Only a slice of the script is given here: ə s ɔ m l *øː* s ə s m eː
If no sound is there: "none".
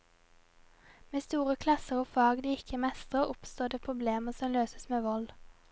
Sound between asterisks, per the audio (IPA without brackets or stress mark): øː